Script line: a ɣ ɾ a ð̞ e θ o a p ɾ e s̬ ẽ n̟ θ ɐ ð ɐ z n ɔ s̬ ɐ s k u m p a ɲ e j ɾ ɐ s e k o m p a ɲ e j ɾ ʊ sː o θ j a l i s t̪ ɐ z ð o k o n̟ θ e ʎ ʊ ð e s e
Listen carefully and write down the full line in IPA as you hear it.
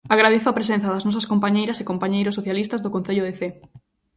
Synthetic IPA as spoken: a ɣ ɾ a ð̞ e θ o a p ɾ e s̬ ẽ n̟ θ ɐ ð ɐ z n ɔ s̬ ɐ s k o m p a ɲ e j ɾ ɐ s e k o m p a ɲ e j ɾ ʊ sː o θ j a l i s t̪ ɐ z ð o k o n̟ θ e ʎ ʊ ð e θ e

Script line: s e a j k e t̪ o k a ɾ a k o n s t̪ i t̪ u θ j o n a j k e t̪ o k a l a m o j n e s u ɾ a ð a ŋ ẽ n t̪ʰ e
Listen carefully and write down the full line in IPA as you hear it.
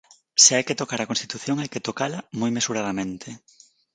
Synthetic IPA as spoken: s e a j k e t̪ o k a ɾ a k o n s t̪ i t̪ u θ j o ŋ a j k e t̪ o k a l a m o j m e s u ɾ a ð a m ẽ n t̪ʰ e

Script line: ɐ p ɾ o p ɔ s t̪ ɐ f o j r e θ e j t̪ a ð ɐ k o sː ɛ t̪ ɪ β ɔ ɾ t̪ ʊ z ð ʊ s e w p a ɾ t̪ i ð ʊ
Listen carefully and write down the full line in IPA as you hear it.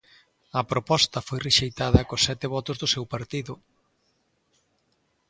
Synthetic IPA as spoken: ɐ p ɾ o p ɔ s t̪ ɐ f o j r e ʃ e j t̪ a ð ɐ k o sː ɛ t̪ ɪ β ɔ t̪ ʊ z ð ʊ s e w p a ɾ t̪ i ð ʊ

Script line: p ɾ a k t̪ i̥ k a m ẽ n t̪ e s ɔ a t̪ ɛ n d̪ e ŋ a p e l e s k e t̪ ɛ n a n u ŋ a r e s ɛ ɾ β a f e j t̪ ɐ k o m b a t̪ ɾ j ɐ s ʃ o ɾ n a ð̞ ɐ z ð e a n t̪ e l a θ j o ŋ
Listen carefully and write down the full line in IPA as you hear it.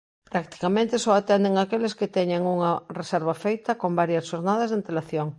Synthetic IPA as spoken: p ɾ a k t̪ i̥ k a m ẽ n t̪ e s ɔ a t̪ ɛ n d̪ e ŋ a k e l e s k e t̪ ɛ ɲ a ŋ u ŋ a r e s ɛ ɾ β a f e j t̪ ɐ k o m b a ɾ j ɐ s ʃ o ɾ n a ð̞ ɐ z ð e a n t̪ e l a θ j o ŋ

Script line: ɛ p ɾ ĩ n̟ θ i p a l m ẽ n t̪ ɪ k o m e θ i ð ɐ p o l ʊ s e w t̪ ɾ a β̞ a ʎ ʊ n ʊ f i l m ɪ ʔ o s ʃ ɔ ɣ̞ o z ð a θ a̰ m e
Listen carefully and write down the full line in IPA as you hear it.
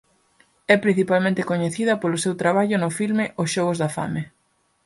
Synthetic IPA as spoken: ɛ p ɾ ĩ n̟ θ i p a l m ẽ n t̪ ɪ k o ɲ e θ i ð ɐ p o l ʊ s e w t̪ ɾ a β̞ a ʎ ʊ n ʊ f i l m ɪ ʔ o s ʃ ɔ ɣ̞ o z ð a f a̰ m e

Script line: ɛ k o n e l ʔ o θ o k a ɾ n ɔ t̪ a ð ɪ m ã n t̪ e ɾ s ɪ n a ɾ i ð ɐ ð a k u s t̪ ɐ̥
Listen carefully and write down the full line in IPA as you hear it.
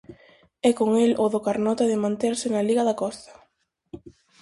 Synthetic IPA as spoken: ɛ k o ŋ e l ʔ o ð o k a ɾ n ɔ t̪ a ð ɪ m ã n t̪ e ɾ s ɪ n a l i ɣ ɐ ð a k ɔ s t̪ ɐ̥

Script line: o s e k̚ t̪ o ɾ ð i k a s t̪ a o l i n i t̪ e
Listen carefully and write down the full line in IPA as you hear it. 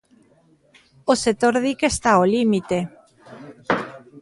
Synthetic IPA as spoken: o s e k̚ t̪ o ɾ ð i k e s t̪ a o l i m i t̪ e

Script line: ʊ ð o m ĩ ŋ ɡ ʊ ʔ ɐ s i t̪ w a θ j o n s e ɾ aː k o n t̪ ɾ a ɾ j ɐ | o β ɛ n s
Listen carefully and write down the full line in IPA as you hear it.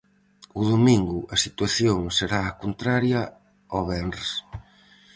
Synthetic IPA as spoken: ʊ ð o m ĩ ŋ ɡ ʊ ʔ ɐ s i t̪ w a θ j o ŋ s e ɾ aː k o n t̪ ɾ a ɾ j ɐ | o β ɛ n s

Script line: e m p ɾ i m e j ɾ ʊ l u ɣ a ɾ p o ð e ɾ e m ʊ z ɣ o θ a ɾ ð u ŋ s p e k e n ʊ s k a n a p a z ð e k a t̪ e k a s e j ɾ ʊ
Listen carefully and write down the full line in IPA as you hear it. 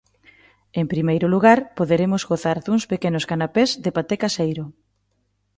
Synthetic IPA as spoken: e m p ɾ i m e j ɾ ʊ l u ɣ a ɾ p o ð e ɾ e m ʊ z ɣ o θ a ɾ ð u ŋ s p e k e n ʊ s k a n a p e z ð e p a t̪ e k a s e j ɾ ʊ

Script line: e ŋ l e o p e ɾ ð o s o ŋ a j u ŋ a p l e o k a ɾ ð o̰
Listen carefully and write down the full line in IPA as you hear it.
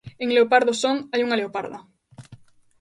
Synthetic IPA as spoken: e ŋ l e o p a ɾ ð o s o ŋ a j u ŋ a l e o p a ɾ ð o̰

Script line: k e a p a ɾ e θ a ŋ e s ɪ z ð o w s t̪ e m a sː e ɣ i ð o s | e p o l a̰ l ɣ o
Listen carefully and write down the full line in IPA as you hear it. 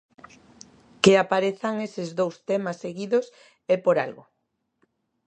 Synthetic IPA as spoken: k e a p a ɾ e θ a ŋ e s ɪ z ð o w s t̪ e m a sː e ɣ i ð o s | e p o ɾ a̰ l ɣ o

